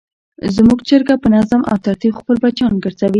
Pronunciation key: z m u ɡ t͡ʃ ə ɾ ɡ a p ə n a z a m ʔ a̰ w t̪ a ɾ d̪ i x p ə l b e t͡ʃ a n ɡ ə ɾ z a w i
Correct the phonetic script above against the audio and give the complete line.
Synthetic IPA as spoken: z m u ɡ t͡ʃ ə ɾ ɡ a p ə n a z a m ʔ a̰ w t̪ a ɾ t̪ i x p ə l b a t͡ʃ ɑ n ɡ ə ɾ z a w i